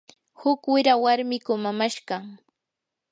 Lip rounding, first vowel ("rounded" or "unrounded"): rounded